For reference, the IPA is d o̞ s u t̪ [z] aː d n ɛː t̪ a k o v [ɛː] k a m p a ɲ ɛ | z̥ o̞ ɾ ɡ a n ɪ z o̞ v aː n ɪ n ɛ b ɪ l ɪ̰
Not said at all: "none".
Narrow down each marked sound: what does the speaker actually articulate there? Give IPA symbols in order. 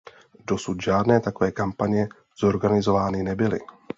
ʒ, ɛː

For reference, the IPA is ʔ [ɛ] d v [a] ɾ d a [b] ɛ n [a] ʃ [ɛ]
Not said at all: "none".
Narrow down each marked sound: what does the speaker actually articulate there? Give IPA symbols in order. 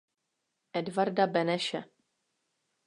ɛ, a, b, ɛ, ɛ

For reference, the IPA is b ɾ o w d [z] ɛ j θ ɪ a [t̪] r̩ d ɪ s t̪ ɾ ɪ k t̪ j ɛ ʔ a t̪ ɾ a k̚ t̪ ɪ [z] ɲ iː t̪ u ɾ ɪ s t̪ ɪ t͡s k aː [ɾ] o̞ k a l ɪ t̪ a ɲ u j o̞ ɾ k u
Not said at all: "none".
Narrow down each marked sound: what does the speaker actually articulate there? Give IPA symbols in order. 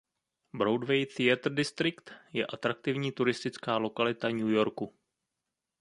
v, t̪, v, l

